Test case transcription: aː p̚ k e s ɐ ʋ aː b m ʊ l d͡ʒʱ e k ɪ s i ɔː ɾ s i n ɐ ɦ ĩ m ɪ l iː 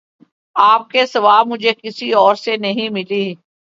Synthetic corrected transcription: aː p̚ k e s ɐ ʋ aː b m ʊ d͡ʒʱ e k ɪ s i ɔː ɾ s e n ɐ ɦ ĩ m ɪ l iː